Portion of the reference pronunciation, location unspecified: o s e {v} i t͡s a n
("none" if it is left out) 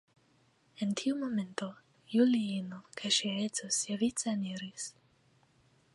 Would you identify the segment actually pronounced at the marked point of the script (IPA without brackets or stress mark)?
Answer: v